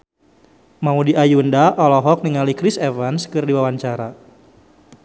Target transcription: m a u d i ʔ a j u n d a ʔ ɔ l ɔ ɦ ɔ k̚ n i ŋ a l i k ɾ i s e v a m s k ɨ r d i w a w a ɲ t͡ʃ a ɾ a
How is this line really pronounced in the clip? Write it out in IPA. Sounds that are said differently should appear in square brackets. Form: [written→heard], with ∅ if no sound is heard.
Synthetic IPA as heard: m a u d i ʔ a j u n d a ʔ ɔ l ɔ ɦ ɔ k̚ n i ŋ a l i k ɾ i s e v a [m→n] s k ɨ r d i w a w a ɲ t͡ʃ a ɾ a